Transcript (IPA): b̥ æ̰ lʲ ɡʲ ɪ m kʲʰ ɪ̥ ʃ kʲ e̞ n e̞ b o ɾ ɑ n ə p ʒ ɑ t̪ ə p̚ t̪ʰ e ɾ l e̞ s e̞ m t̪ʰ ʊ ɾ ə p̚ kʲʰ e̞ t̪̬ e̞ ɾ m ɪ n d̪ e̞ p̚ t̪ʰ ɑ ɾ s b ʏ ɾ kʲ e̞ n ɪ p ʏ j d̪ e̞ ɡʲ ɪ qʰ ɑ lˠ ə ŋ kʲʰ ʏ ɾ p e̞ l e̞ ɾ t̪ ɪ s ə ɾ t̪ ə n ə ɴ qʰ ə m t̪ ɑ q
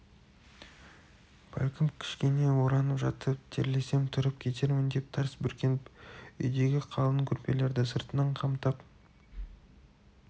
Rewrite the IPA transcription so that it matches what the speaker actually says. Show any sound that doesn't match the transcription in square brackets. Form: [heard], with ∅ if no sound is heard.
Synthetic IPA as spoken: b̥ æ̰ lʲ [kʲ] ɪ m kʲʰ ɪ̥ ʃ kʲ e̞ n e̞ [w] o ɾ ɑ n ə p ʒ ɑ t̪ ə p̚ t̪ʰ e ɾ l e̞ s e̞ m t̪ʰ ʊ ɾ ə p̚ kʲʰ e̞ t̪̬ e̞ ɾ m ɪ n d̪ e̞ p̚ t̪ʰ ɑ ɾ s b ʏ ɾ kʲ e̞ n ɪ p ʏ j d̪ e̞ ɡʲ ɪ qʰ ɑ lˠ ə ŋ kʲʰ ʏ ɾ p e̞ l e̞ ɾ [d̪] ɪ s ə ɾ t̪ ə n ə ɴ qʰ [ɑ] m t̪ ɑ [p]